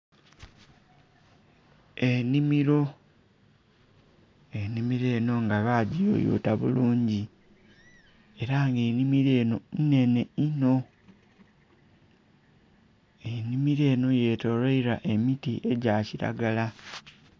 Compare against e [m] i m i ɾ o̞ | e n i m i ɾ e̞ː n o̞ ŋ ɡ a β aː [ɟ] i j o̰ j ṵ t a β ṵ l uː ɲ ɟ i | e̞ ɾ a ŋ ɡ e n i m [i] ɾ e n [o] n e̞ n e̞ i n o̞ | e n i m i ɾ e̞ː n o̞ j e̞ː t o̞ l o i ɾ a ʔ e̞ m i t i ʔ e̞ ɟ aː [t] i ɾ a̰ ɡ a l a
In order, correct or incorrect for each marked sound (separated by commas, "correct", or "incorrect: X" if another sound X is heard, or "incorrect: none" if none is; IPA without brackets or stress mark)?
incorrect: n, correct, correct, correct, incorrect: c